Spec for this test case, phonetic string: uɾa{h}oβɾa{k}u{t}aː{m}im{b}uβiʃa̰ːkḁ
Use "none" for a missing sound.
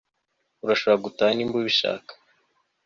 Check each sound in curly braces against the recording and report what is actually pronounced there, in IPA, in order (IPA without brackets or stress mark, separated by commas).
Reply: ʃ, ɡ, t, n, b